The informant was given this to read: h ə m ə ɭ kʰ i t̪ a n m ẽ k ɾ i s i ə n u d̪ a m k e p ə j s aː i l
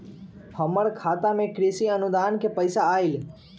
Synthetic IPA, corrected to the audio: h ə m ə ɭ kʰ a t̪ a m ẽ k ɾ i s i ə n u d̪ a n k e p ə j s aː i l